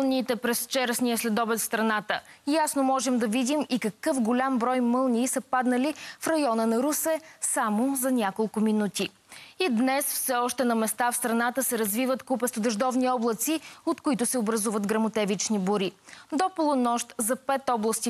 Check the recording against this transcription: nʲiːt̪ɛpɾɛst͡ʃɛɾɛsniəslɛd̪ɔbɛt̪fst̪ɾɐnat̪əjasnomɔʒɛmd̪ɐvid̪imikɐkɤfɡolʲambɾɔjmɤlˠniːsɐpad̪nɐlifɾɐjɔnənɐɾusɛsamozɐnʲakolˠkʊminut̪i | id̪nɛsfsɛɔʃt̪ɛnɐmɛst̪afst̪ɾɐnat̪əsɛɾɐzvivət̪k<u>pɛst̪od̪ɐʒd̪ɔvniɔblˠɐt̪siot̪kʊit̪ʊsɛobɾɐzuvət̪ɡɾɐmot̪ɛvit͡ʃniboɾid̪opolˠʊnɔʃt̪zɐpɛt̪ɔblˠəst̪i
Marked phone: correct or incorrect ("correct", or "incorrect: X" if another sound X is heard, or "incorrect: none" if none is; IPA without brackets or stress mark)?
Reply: correct